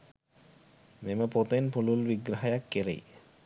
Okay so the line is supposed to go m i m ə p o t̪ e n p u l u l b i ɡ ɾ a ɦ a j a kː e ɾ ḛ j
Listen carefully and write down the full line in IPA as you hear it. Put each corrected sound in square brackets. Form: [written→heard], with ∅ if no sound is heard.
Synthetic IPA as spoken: m [i→e] m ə p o t̪ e n p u l u l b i ɡ ɾ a ɦ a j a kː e ɾ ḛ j